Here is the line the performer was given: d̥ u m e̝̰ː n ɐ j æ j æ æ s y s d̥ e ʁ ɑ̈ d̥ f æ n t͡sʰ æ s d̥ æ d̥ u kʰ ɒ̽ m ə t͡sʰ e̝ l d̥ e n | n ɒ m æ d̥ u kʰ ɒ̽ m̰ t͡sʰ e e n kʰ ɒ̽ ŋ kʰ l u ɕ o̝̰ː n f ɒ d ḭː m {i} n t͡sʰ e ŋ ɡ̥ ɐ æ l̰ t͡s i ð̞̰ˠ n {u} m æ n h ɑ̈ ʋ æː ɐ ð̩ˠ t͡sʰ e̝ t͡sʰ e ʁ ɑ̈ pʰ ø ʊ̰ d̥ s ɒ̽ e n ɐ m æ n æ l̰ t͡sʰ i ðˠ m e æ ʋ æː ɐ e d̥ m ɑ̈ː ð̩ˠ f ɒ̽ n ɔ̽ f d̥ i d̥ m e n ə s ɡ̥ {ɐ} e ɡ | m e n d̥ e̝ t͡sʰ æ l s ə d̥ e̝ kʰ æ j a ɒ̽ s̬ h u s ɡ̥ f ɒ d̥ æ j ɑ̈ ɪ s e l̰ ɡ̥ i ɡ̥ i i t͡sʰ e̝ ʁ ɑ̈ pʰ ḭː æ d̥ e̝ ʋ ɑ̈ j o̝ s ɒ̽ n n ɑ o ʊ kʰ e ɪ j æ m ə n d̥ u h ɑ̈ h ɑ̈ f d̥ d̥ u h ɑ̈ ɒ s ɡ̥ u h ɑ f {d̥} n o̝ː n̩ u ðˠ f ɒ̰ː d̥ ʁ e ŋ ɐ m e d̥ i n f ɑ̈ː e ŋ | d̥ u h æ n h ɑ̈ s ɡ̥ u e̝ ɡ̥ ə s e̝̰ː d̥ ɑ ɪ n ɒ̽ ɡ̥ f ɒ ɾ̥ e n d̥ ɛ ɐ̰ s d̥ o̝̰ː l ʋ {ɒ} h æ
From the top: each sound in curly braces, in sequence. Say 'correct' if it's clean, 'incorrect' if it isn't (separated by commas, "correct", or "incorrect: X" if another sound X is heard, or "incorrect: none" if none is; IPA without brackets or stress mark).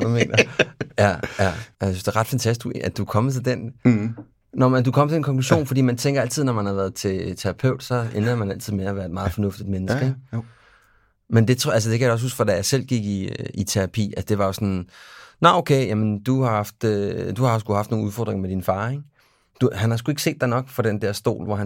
incorrect: æ, incorrect: ɒ, incorrect: ə, correct, correct